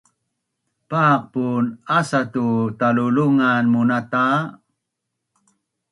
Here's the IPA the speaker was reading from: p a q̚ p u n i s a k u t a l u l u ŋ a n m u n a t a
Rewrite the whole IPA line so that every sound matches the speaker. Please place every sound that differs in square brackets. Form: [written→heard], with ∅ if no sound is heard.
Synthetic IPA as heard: p a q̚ p u n [i→a] s a [k→t] u t a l u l u ŋ a n m u n a t a

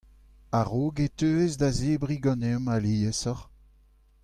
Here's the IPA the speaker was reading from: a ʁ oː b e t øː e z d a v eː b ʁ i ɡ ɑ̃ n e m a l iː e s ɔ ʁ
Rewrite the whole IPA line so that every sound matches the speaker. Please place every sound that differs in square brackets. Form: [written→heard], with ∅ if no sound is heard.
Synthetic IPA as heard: a ʁ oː [b→ɡ] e t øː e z d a [v→z] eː b ʁ i ɡ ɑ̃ n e m a l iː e s ɔ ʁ

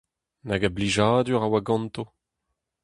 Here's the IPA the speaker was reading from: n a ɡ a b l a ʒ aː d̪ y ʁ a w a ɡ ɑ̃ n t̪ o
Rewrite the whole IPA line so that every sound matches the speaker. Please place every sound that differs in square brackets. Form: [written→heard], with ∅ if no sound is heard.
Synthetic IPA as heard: n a ɡ a b l [a→i] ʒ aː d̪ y ʁ a w a ɡ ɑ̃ n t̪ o

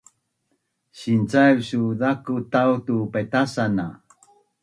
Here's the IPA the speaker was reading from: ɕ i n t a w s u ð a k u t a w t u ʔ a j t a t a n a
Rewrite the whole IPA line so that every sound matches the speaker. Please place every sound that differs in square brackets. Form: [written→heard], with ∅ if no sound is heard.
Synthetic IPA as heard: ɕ i n [t→t͡s] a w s u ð a k u t a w t u [ʔ→p] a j t a [t→s] a n a

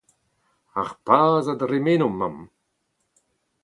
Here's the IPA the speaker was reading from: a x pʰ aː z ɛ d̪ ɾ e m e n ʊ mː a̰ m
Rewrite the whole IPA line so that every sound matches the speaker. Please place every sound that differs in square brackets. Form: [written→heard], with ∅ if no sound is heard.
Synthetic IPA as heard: a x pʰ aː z [ɛ→a] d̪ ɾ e m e n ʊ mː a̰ m

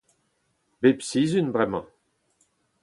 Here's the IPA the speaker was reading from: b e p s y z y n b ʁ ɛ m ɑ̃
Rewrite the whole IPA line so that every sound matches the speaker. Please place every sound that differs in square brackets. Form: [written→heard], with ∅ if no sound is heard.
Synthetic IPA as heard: b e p s [y→i] z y n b ʁ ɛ m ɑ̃

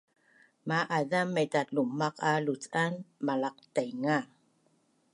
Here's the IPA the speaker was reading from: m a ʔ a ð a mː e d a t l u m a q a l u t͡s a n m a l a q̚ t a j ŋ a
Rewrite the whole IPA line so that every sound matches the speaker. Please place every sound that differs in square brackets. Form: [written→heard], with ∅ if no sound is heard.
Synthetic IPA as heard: m a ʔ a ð a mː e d a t l u m a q a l u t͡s a n m a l a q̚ t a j ŋ a

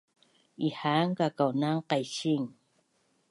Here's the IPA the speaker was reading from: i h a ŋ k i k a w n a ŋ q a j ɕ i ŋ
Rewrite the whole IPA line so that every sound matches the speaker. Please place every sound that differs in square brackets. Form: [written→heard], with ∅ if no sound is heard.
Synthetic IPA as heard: i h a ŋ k [i→a] k a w n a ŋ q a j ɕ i ŋ

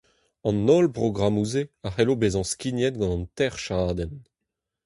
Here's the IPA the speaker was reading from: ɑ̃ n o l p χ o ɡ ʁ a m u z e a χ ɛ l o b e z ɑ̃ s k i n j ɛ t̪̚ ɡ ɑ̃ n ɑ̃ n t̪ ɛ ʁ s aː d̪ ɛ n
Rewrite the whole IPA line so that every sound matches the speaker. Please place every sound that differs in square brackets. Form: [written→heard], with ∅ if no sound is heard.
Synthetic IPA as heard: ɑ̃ n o l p [χ→ʁ] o ɡ ʁ a m u z e a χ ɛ l o b e z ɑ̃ s k i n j ɛ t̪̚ ɡ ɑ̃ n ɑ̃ n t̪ ɛ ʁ [s→ʃ] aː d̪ ɛ n

